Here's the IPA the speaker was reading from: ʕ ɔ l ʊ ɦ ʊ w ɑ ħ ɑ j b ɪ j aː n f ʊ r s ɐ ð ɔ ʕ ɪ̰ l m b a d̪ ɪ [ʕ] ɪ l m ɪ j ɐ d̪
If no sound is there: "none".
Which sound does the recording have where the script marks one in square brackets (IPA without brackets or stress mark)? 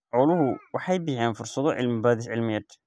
ʕ